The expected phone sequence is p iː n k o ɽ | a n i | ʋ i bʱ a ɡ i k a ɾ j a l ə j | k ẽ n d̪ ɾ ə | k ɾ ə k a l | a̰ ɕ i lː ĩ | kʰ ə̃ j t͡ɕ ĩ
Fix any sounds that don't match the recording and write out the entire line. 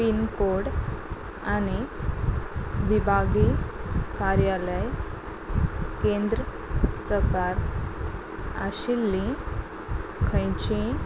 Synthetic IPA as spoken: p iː n k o ɽ | a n i | ʋ i bʱ a ɡ i k a ɾ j a l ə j | k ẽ n d̪ ɾ ə | p ɾ ə k a ɾ | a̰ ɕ i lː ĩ | kʰ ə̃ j t͡ɕ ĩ